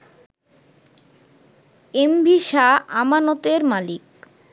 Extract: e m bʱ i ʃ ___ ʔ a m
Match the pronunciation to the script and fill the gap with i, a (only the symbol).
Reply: a